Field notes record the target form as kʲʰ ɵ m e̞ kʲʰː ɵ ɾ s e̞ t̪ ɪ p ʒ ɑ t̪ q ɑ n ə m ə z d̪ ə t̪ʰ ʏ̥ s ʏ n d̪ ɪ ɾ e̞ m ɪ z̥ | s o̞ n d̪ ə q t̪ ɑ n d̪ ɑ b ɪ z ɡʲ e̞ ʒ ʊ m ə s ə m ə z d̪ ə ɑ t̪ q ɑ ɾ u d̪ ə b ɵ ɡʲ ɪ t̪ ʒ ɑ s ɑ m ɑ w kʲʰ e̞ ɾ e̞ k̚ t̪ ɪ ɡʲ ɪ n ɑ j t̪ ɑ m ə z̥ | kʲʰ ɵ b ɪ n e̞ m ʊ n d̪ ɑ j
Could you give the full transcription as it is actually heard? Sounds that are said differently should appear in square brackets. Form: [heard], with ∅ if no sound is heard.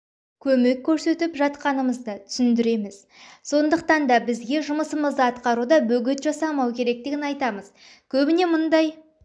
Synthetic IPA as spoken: kʲʰ ɵ m e̞ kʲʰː ɵ ɾ s e̞ t̪ ɪ p ʒ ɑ t̪ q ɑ n ə m ə z d̪ ə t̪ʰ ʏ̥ s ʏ n d̪ ɪ ɾ e̞ m ɪ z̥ | s o̞ n d̪ ə q t̪ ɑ n d̪ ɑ b ɪ z ɡʲ e̞ ʒ ʊ m ə s ə m ə z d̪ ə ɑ t̪ q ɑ ɾ u d̪ [ɑ] b ɵ ɡʲ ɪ t̪ ʒ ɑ s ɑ m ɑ w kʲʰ e̞ ɾ e̞ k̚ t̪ ɪ ɡʲ ɪ n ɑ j t̪ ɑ m ə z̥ | kʲʰ ɵ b ɪ n e̞ m ʊ n d̪ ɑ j